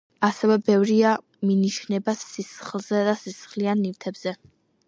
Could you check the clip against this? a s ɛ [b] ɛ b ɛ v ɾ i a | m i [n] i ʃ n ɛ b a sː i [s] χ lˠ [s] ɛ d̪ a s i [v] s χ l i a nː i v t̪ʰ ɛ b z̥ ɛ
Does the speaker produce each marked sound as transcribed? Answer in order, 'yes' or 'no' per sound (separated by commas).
no, yes, yes, no, no